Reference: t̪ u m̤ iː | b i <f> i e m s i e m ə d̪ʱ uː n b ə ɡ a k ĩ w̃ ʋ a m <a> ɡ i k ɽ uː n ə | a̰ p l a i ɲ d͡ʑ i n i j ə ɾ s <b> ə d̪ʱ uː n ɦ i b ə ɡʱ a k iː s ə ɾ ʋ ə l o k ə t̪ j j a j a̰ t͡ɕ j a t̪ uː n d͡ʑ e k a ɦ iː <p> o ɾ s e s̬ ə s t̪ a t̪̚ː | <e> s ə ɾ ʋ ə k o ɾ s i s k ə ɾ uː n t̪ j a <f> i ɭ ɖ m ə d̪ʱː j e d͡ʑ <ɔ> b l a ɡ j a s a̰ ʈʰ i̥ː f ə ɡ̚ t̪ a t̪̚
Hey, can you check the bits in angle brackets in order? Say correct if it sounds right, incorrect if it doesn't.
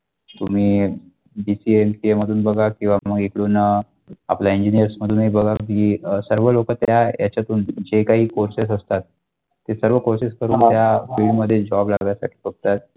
incorrect: s, incorrect: ə, incorrect: m, incorrect: k, correct, correct, correct

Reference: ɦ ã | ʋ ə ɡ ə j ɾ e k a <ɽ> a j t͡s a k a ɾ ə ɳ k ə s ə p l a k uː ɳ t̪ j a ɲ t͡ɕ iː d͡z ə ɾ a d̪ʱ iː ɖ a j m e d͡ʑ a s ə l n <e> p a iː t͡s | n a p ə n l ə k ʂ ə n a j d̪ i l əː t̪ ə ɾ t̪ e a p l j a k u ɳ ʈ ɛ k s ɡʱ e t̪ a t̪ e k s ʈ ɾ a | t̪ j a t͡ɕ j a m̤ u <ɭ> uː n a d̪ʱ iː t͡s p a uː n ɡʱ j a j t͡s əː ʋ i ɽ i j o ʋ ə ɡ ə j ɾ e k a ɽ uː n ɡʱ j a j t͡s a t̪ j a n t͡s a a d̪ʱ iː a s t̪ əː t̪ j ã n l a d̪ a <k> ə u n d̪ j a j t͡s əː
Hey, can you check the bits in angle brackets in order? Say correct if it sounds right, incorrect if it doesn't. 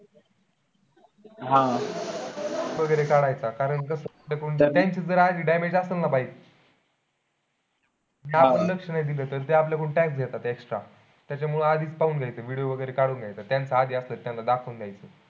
correct, incorrect: a, correct, incorrect: kʰ

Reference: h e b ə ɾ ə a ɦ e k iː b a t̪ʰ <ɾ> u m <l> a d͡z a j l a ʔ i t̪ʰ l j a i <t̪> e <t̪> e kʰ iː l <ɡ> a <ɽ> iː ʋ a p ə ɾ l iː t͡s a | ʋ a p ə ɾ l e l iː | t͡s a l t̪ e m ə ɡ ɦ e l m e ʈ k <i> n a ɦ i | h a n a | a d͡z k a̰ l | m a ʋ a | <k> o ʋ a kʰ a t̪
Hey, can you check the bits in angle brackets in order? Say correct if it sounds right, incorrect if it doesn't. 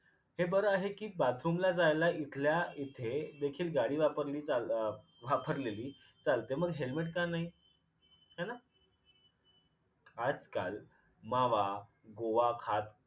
correct, correct, incorrect: t̪ʰ, incorrect: d̪, correct, correct, incorrect: a, incorrect: ɡ

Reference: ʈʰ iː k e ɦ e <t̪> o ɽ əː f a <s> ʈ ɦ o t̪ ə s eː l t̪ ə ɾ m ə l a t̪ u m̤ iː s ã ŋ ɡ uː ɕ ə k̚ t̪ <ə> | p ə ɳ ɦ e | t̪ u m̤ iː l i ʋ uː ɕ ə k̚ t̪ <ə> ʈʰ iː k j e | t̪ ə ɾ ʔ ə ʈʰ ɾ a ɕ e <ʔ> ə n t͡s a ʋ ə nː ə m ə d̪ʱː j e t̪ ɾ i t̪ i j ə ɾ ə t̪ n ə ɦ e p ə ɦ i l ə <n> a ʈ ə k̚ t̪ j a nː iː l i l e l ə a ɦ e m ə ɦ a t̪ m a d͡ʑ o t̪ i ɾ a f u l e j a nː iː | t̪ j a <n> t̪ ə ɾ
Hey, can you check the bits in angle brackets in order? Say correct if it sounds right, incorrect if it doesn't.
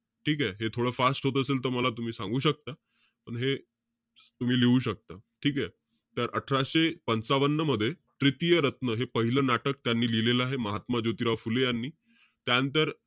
incorrect: t̪ʰ, correct, incorrect: a, incorrect: a, incorrect: p, correct, correct

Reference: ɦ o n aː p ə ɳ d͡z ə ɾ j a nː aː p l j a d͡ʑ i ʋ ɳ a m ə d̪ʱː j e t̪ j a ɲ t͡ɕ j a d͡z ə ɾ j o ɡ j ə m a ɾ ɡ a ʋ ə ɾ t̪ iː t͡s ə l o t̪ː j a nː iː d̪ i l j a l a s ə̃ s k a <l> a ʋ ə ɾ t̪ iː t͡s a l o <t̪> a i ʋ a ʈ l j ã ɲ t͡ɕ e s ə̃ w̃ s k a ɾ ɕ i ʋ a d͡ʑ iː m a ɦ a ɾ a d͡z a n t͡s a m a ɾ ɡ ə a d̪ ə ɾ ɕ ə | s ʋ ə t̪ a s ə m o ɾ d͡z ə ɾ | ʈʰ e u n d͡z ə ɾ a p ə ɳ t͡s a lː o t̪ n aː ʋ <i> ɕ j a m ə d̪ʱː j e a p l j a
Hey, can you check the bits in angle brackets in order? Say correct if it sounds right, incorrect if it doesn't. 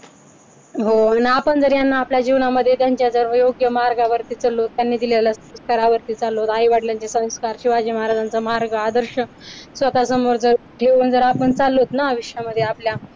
incorrect: ɾ, correct, correct

